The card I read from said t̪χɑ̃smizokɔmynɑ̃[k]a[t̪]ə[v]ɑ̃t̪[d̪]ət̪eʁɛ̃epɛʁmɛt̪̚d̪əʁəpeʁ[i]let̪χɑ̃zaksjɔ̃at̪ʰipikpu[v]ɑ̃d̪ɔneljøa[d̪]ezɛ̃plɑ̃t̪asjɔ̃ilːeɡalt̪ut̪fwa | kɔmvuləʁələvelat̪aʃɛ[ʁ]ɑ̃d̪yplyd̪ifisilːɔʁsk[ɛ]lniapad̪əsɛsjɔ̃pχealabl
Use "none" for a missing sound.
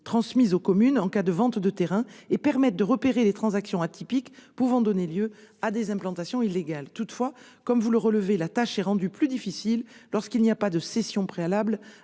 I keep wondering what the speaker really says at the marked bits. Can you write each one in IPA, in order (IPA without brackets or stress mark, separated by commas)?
k, d̪, v, d̪, e, v, d̪, ʁ, i